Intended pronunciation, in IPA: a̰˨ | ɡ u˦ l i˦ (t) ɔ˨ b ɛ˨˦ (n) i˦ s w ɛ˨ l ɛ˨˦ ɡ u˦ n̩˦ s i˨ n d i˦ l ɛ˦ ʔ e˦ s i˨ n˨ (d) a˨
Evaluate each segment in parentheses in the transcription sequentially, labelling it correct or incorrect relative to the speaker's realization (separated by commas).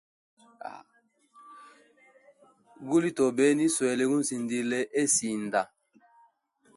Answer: correct, correct, correct